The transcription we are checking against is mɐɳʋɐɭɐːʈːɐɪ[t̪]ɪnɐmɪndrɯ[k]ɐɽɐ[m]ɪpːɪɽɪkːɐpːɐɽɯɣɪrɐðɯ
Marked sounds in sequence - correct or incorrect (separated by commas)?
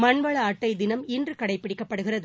incorrect, correct, incorrect